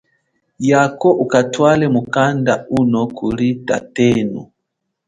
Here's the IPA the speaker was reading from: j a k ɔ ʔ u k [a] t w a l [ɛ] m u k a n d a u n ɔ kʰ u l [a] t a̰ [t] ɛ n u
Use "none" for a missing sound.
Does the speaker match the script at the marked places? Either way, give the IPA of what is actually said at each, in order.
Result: a, ɛ, i, t

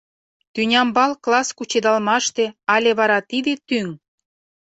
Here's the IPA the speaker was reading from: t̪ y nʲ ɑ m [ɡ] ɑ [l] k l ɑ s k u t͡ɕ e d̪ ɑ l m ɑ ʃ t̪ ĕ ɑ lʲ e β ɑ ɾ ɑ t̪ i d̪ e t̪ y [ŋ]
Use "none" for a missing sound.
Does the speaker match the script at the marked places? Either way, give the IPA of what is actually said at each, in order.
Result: b, l, ŋ

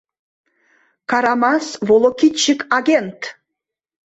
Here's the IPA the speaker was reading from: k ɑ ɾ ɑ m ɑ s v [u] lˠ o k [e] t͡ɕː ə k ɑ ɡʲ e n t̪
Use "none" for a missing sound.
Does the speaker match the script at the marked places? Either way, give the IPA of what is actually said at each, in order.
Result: o, i

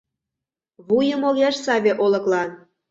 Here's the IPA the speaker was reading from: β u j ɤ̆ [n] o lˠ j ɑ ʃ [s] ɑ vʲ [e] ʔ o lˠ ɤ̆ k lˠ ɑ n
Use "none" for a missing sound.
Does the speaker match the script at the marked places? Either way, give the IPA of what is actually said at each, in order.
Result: m, s, e

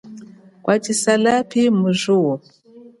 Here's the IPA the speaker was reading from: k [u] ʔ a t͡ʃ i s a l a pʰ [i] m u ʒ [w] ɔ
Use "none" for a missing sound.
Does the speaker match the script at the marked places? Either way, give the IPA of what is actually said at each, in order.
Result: w, i, u

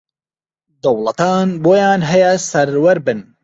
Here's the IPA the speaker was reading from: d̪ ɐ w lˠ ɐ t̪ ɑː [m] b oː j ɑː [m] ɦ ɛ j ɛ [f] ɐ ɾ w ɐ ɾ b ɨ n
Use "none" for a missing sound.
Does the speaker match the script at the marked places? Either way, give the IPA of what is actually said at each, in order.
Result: n, n, s

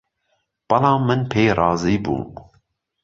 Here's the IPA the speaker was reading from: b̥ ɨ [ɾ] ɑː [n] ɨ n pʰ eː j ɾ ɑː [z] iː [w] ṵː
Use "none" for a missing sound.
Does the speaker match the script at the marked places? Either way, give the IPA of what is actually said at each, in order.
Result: l, m, z, b

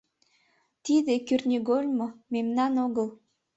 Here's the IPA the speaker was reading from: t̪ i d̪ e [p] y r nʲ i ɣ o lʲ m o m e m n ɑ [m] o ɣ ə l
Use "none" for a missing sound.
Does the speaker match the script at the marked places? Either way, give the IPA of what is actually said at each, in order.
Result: k, n

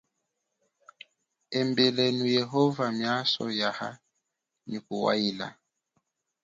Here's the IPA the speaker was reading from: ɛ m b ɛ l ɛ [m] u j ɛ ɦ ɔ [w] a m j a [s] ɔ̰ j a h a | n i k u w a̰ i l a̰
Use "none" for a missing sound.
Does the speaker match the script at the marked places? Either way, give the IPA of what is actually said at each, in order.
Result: n, v, s

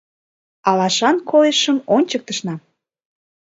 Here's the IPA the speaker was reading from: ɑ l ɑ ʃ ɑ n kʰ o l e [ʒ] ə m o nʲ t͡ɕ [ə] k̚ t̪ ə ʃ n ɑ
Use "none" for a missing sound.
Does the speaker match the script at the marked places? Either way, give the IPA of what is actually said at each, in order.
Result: ʃ, ə

